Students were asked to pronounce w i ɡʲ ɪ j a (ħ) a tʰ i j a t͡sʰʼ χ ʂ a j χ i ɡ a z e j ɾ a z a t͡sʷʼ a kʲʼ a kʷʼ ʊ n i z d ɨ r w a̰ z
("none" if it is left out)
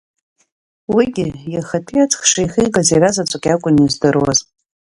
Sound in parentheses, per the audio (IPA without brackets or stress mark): χ